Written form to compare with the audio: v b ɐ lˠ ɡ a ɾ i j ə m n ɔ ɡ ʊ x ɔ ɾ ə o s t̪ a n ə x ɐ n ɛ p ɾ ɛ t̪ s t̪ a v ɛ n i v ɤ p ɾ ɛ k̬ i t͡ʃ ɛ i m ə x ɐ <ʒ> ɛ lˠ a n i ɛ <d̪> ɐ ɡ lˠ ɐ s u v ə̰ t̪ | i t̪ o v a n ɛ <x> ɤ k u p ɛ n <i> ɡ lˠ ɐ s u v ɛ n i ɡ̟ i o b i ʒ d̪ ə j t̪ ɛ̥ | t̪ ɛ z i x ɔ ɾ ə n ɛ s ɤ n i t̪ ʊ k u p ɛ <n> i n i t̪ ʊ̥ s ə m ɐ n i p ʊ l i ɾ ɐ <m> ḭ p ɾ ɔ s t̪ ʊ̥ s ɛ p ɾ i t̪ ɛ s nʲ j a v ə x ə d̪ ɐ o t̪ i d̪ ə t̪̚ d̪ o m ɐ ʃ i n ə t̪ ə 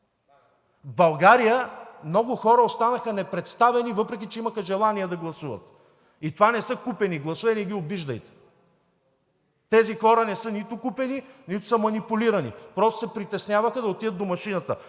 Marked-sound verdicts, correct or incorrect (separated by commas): correct, correct, incorrect, correct, correct, incorrect